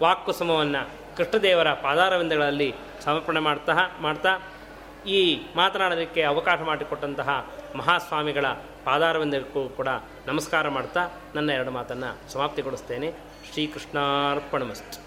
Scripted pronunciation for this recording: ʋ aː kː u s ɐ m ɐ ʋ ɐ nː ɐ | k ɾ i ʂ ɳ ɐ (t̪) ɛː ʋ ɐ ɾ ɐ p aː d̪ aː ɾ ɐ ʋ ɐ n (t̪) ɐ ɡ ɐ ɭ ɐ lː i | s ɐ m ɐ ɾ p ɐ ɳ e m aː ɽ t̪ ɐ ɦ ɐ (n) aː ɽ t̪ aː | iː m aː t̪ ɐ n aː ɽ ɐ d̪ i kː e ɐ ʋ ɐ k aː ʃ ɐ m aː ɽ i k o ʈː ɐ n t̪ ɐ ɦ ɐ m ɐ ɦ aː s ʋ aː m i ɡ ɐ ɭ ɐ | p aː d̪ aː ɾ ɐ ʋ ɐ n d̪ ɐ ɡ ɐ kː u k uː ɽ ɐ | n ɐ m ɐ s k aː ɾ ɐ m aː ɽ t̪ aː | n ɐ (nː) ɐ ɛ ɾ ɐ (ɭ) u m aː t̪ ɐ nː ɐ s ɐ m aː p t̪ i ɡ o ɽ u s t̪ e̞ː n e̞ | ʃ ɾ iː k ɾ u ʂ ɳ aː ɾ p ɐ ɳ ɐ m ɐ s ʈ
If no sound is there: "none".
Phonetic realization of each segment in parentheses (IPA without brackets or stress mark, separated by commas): d̪, d̪, m, nː, ɽ